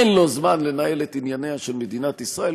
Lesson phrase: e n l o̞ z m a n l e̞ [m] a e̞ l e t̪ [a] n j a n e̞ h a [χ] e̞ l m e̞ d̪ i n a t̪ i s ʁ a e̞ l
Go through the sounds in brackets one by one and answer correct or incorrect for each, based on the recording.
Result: incorrect, incorrect, incorrect

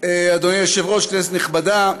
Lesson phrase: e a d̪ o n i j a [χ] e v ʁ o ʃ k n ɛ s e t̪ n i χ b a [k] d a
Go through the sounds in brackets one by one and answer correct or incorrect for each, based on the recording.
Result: incorrect, incorrect

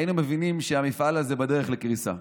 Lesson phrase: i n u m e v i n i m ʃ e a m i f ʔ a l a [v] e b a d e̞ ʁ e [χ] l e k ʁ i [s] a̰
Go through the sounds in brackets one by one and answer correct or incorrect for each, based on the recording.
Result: incorrect, correct, correct

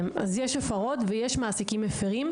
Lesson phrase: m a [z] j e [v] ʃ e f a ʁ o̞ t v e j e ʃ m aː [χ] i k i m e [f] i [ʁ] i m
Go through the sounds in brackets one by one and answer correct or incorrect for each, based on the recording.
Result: correct, incorrect, incorrect, correct, correct

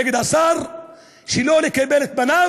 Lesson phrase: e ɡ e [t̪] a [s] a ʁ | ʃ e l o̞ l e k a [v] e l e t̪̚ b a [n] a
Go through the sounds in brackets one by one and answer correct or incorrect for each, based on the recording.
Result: incorrect, correct, incorrect, correct

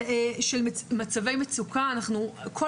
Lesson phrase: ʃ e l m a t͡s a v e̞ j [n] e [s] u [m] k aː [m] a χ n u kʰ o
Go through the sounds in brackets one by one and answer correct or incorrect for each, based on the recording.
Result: incorrect, incorrect, incorrect, incorrect

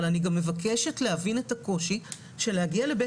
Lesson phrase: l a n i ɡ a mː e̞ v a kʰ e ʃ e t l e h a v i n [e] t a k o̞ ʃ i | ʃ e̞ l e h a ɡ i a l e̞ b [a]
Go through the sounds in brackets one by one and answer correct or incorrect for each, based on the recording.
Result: correct, incorrect

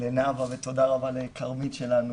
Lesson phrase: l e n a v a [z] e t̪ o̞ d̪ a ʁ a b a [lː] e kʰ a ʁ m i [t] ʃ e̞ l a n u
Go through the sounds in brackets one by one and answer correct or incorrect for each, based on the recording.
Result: incorrect, incorrect, correct

